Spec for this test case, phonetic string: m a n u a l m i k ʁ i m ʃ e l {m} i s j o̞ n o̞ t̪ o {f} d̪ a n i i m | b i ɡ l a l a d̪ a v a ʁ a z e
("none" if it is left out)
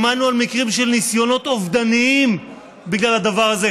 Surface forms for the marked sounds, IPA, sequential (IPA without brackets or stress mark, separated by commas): n, v